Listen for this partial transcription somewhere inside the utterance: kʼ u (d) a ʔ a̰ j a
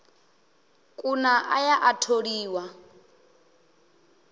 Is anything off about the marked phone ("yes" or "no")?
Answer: yes